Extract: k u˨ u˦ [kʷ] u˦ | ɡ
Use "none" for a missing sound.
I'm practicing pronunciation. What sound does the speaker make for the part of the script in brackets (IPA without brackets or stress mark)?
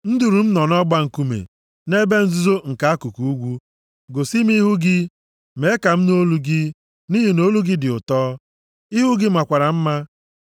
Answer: ɡʷ